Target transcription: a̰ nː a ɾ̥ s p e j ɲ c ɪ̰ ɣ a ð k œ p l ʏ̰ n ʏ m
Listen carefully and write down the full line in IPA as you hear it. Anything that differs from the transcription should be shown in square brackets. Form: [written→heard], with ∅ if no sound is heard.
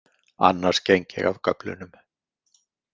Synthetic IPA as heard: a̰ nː a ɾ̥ s [p→c] e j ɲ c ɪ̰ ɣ a [ð→v] k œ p l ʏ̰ n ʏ m